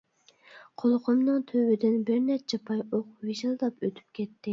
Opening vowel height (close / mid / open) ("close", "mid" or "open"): mid